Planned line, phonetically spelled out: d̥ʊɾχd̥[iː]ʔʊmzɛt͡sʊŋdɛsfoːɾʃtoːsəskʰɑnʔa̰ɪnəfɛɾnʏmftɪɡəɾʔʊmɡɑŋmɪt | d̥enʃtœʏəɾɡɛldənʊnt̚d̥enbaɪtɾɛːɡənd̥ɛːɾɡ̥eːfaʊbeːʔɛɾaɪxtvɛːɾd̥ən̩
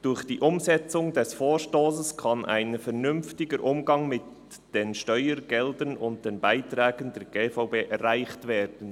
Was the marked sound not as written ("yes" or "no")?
no